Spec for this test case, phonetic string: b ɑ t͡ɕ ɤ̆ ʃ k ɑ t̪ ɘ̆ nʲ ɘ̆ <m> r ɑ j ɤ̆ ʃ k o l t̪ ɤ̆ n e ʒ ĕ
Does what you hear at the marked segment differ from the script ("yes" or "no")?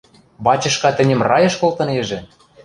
no